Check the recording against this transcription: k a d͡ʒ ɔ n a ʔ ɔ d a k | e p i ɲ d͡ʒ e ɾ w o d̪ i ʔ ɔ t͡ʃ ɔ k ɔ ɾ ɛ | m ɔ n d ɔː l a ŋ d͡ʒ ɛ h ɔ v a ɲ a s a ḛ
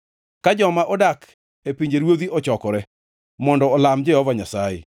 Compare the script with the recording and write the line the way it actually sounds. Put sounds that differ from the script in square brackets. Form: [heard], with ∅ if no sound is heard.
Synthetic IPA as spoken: k a d͡ʒ ɔ [m] a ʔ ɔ d a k | e p i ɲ d͡ʒ e ɾ w o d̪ i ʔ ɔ t͡ʃ ɔ k ɔ ɾ ɛ | m ɔ n d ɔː l a [m] d͡ʒ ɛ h ɔ v a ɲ a s a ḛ